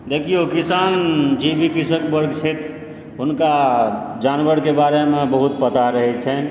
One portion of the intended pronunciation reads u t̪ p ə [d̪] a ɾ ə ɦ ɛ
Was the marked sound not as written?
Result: yes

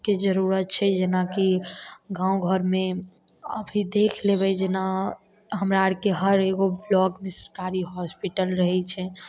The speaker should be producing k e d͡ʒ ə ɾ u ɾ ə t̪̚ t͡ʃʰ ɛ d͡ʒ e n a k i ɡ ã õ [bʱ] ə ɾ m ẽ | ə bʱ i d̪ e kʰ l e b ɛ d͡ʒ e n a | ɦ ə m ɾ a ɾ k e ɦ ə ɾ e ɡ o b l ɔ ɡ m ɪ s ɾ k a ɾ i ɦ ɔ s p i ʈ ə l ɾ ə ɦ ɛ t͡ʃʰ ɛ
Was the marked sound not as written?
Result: yes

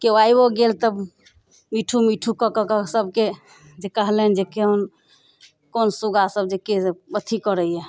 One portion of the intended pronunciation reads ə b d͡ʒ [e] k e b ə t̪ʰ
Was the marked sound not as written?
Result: no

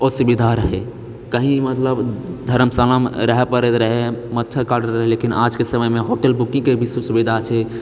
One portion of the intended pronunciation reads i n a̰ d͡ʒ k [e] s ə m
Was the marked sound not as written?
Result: no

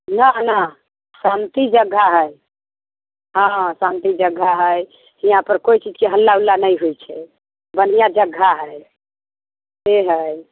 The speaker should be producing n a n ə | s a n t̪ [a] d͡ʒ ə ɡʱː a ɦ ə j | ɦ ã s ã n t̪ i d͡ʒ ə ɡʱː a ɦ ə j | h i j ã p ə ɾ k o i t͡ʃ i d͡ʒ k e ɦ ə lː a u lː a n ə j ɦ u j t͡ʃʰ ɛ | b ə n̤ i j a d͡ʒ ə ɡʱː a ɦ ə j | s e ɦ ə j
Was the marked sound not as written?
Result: yes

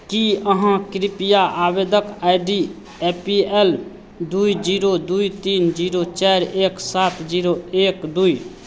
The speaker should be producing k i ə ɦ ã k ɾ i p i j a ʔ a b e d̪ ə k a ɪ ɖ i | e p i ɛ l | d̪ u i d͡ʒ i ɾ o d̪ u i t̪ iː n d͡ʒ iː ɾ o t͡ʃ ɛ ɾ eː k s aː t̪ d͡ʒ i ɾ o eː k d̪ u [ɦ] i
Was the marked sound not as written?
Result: yes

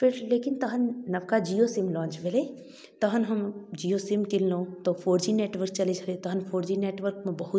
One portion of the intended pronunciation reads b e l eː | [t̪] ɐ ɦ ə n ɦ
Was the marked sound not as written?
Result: no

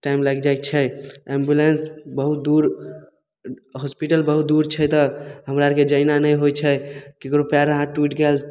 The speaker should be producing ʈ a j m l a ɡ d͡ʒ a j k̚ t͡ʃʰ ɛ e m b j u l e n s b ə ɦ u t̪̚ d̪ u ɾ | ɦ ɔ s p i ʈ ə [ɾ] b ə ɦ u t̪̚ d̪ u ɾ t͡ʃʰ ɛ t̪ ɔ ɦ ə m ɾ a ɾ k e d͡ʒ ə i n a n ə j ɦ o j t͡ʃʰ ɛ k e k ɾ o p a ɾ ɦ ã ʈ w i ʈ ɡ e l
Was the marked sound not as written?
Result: yes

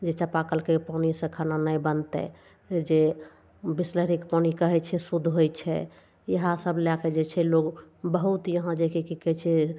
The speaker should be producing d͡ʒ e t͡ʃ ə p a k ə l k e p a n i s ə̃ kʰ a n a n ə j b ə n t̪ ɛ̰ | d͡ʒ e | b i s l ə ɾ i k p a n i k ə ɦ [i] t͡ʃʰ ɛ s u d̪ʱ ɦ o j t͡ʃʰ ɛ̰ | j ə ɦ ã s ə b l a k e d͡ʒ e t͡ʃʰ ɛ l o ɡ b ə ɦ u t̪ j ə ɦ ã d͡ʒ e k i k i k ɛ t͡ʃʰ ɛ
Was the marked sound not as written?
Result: yes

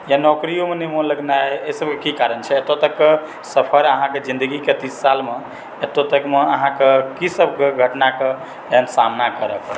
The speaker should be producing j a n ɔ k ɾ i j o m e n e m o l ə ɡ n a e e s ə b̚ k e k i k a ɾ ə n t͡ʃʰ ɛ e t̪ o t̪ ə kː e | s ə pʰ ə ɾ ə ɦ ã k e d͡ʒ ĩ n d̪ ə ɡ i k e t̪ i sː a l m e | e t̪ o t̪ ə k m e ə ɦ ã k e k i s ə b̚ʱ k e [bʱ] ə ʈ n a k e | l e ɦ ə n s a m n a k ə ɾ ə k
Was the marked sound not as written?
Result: yes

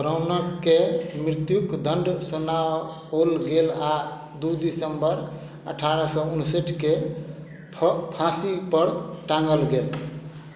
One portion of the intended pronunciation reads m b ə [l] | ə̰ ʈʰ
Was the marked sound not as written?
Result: yes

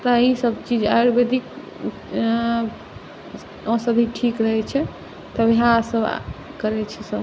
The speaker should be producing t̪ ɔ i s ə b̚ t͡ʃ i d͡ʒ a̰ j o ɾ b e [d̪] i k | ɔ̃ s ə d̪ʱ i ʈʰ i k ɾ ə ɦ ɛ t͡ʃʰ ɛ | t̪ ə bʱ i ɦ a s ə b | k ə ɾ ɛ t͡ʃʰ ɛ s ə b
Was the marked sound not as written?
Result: no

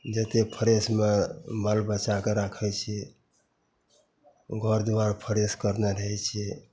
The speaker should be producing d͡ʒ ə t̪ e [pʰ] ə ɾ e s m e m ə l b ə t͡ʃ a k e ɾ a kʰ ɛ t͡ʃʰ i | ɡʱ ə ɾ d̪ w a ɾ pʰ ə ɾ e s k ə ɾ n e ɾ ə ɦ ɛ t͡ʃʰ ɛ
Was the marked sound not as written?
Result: no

